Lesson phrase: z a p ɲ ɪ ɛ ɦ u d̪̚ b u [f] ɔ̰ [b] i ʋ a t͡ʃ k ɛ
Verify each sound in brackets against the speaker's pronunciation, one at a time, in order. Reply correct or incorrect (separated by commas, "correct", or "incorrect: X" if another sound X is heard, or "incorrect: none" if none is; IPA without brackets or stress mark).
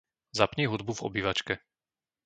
incorrect: v, correct